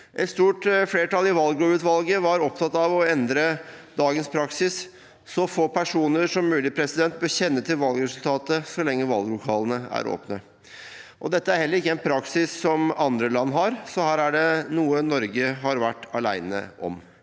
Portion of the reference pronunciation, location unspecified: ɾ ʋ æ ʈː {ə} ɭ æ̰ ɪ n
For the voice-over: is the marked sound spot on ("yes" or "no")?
no